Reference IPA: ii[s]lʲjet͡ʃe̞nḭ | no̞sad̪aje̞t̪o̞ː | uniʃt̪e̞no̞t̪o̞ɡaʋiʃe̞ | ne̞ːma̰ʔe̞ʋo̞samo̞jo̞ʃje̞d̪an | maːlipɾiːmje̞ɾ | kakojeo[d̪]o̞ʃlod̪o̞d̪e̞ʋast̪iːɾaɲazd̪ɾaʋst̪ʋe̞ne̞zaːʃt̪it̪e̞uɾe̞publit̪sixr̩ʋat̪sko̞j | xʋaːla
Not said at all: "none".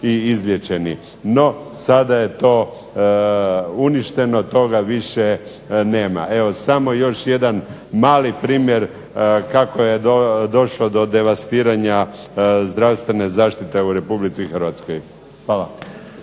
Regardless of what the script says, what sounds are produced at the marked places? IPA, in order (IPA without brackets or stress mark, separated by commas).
z, d̪